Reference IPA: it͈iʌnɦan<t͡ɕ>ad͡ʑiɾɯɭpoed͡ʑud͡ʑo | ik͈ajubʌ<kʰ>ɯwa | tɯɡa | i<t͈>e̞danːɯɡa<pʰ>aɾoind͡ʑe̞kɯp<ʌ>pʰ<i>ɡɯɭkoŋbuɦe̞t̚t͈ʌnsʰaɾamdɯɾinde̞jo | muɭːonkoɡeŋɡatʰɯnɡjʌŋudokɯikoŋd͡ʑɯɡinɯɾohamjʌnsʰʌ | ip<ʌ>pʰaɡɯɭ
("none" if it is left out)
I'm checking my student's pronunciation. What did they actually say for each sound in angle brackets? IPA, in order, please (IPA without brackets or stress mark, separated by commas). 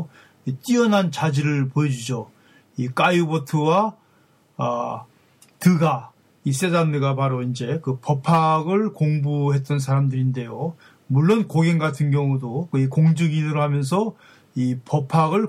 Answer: t͡ɕ, tʰ, s͈, p, ʌ, a, ʌ